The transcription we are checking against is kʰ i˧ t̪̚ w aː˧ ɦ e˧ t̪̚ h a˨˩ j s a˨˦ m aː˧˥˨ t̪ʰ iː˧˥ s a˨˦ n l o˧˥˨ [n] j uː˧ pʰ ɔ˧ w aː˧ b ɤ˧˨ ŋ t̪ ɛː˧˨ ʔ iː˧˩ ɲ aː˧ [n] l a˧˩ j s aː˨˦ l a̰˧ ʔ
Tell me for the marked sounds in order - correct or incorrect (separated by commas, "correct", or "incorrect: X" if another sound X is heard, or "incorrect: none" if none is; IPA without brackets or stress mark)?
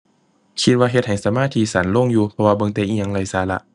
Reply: incorrect: ŋ, incorrect: ŋ